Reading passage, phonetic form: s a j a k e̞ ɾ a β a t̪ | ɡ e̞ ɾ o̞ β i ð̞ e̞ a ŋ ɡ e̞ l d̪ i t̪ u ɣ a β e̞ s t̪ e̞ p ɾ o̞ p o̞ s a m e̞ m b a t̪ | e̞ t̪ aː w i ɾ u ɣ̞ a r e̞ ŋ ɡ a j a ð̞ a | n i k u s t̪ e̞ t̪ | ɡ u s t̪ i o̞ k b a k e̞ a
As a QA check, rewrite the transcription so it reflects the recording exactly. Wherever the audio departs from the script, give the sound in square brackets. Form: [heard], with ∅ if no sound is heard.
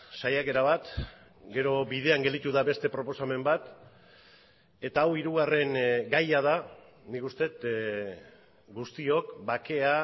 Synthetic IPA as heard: s a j a k e̞ ɾ a β a t̪ | ɡ e̞ ɾ o̞ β i ð̞ e̞ a ŋ ɡ e̞ l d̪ i t̪ u [ð] a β e̞ s t̪ e̞ p ɾ o̞ p o̞ s a m e̞ m b a t̪ | e̞ t̪ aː w i ɾ u ɣ̞ a r e̞ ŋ ɡ a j a ð̞ a | n i k u s t̪ e̞ t̪ | ɡ u s t̪ i o̞ k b a k e̞ a